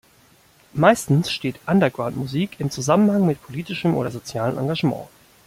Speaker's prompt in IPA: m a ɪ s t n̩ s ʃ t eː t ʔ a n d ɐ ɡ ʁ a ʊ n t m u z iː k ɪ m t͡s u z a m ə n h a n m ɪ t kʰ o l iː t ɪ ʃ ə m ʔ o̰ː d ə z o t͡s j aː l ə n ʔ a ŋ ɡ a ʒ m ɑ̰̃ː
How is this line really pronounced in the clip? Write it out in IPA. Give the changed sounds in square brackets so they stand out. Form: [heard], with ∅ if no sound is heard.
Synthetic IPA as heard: m a ɪ s t n̩ s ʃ t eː t ʔ a n d ɐ ɡ ʁ a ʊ n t m u z iː k ɪ m t͡s u z a m ə n h a [ŋ] m ɪ t [pʰ] o l iː t ɪ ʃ ə m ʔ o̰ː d [ɐ] z o t͡s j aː l ə n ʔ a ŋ ɡ a ʒ m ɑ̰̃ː